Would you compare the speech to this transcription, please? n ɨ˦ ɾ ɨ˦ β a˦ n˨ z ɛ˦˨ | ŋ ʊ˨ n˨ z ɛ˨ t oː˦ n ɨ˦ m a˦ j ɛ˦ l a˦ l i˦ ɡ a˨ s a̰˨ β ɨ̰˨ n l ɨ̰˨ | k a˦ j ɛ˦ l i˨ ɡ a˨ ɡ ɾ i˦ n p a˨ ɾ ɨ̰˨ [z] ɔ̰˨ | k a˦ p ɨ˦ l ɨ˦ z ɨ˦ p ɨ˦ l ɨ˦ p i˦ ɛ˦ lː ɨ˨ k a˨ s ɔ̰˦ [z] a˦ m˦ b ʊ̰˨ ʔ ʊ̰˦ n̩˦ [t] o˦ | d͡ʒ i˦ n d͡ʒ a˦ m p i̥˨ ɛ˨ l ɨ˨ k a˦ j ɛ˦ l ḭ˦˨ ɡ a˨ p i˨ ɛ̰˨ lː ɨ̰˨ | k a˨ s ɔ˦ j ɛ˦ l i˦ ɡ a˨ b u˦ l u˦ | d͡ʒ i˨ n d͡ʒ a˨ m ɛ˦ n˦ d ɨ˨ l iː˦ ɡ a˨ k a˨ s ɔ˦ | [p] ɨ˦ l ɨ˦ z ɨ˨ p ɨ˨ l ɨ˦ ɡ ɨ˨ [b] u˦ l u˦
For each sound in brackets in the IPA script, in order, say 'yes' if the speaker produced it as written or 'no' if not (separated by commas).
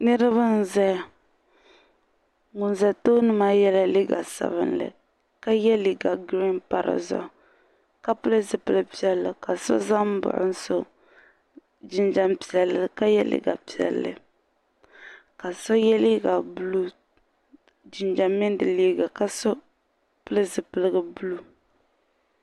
yes, yes, no, yes, yes